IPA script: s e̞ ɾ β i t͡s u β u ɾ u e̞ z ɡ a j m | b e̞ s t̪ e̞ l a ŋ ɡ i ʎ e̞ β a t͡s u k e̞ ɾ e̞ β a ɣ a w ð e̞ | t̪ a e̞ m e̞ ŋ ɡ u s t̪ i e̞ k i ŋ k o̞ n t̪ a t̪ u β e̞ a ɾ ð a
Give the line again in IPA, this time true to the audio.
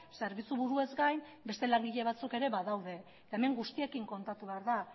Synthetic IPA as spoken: s e̞ ɾ β i t͡s u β u ɾ u e̞ z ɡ a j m | b e̞ s t̪ e̞ l a ŋ ɡ i ʎ e̞ β a t͡s u k e̞ ɾ e̞ β a ð a w ð e̞ | t̪ a e̞ m e̞ ŋ ɡ u s t̪ i e̞ k i ŋ k o̞ n t̪ a t̪ u β e̞ a ɾ ð a